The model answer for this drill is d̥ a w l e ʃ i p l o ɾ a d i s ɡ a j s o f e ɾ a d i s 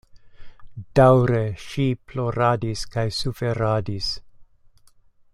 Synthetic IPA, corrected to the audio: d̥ a w ɾ e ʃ i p l o ɾ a d i s k a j s u f e ɾ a d i s